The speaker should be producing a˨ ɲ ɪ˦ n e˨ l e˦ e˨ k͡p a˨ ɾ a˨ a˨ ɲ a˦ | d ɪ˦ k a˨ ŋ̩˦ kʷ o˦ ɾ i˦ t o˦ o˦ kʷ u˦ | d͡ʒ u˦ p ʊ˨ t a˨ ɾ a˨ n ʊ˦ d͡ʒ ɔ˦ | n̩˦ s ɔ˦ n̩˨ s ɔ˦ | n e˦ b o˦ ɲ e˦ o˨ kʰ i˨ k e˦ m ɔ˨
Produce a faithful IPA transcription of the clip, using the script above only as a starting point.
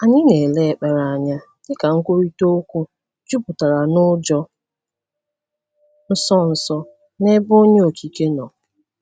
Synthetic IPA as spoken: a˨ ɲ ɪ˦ n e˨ l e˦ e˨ k͡p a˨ ɾ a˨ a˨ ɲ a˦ | d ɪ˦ k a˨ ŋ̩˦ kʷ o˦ ɾ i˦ t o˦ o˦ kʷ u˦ | d͡ʒ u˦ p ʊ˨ t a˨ ɾ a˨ n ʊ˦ d͡ʒ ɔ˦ | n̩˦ s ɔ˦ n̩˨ s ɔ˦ | n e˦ b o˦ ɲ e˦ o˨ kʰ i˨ k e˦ n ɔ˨